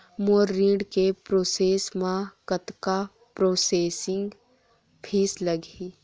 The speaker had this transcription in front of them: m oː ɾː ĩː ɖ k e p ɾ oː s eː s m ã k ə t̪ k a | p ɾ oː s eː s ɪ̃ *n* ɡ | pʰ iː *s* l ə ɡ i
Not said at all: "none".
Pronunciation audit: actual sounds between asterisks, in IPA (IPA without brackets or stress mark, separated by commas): ŋ, s